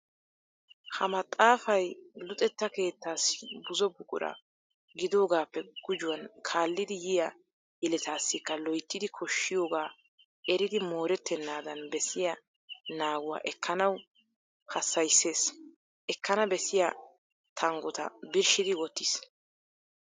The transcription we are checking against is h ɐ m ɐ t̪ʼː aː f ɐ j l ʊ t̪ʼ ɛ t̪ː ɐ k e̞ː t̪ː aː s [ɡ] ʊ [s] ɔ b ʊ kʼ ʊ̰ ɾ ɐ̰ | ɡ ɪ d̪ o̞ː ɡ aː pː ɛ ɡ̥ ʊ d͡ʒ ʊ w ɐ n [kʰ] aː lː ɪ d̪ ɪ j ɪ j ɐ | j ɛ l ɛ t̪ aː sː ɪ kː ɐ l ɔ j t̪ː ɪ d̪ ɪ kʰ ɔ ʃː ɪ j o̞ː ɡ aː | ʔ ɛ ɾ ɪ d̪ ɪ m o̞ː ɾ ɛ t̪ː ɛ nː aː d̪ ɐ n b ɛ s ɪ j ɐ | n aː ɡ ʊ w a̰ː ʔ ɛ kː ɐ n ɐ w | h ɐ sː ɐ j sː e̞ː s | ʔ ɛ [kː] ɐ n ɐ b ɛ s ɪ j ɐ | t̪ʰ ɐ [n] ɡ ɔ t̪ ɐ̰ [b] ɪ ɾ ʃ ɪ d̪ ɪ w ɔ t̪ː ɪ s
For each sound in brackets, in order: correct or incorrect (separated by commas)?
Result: incorrect, incorrect, correct, correct, incorrect, correct